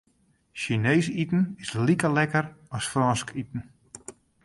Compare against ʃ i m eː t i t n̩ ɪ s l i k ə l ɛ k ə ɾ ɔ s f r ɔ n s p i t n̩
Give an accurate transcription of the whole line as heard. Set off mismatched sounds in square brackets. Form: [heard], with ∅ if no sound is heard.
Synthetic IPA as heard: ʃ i [n] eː [s] i t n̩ ɪ s l i k ə l ɛ k ə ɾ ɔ s f r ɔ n s [k] i t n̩

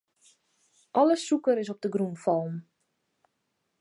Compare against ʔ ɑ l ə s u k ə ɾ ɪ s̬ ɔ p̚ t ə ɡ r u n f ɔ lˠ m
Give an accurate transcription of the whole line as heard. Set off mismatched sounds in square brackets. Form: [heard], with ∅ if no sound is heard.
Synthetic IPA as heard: ʔ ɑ l ə s u k ə ɾ ɪ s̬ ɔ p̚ [d] ə ɡ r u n f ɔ lˠ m

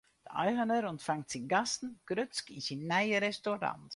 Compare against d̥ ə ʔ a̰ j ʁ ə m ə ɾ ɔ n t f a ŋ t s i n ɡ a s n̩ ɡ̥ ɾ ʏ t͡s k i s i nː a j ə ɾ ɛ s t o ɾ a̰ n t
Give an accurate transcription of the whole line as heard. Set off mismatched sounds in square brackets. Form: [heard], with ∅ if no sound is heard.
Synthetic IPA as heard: d̥ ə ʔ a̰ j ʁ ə [n] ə ɾ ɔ n t f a ŋ t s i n ɡ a s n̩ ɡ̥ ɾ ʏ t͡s k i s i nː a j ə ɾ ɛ s t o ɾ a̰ n t

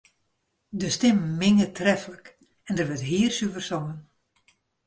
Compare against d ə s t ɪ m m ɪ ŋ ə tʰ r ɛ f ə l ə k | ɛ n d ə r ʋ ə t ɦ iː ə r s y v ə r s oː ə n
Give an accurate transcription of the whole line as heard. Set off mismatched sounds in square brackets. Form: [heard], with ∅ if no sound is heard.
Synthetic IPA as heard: d ə s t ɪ m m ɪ ŋ ə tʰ r ɛ f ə l ə k | ɛ n d ə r ʋ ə t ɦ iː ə r s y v ə r s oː ə n

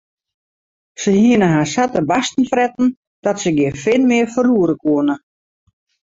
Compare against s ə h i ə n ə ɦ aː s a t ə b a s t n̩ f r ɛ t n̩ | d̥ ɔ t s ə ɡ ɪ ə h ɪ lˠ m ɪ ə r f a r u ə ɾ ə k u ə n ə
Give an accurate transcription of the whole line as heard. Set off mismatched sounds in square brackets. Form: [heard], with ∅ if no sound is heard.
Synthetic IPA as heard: s ə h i ə n ə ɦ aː s a t ə b a s t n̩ f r ɛ t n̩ | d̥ ɔ t s ə ɡ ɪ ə [f] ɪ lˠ m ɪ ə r f [ə] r u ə ɾ ə k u ə n ə

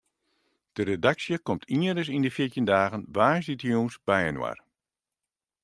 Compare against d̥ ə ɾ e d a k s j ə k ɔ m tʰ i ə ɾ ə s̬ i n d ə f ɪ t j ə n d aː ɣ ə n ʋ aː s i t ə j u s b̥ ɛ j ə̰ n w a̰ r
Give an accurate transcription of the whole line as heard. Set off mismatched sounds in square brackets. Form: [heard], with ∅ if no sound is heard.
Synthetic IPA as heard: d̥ ə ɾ e d a k s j ə k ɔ m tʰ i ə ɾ ə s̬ i n d ə f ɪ t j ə n d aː ɣ ə n ʋ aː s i t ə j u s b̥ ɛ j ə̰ n w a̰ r

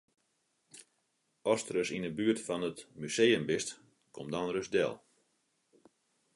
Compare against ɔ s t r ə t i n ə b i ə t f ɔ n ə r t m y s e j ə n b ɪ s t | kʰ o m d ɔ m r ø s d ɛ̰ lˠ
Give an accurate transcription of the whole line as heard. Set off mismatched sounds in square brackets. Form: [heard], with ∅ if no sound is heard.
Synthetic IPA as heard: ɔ s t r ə [s] i n ə b [y] ə t f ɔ n ə [∅] t m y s e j ə [m] b ɪ s t | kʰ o m d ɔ [n] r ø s d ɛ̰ lˠ

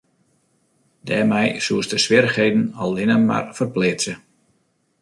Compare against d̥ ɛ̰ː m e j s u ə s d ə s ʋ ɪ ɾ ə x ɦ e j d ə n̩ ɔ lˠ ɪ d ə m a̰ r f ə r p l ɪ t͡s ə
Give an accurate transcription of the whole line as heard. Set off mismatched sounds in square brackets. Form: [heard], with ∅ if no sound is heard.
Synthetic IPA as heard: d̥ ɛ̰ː m [ɛ] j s u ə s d ə s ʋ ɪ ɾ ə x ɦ e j d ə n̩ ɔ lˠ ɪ [n] ə m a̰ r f ə r p l ɪ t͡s ə

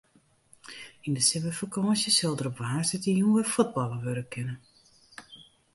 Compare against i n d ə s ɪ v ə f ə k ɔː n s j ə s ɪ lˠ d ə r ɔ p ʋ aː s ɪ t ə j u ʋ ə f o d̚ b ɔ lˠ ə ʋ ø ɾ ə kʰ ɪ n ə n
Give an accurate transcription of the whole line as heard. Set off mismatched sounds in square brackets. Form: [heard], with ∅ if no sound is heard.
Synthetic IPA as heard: i n d ə s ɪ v ə f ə k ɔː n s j ə s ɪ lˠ d ə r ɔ p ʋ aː s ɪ t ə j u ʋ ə f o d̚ b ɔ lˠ ə ʋ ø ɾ ə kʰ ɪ n ə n

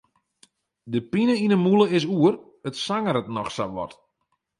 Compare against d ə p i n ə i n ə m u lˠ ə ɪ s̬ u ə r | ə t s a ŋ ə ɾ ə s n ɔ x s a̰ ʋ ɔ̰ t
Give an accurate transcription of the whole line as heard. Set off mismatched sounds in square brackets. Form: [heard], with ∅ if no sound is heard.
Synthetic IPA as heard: d ə p i n ə i n ə m u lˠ ə ɪ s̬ u ə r | ə t s a ŋ ə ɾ ə [t] n ɔ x s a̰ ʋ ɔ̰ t

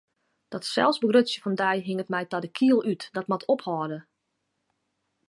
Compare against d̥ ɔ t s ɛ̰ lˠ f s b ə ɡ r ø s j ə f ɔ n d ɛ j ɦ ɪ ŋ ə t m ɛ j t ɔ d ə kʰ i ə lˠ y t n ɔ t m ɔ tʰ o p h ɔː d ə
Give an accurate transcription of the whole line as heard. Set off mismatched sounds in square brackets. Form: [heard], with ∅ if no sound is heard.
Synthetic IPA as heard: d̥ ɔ t s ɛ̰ lˠ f s b ə ɡ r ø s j ə f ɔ n d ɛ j ɦ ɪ ŋ ə t m ɛ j t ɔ d ə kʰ i ə lˠ y t [d] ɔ t m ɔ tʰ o p h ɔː d ə

